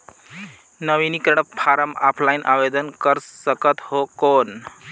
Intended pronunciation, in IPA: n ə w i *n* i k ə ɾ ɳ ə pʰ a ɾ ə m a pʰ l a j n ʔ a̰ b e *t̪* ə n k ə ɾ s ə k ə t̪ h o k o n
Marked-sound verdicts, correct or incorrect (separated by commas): correct, incorrect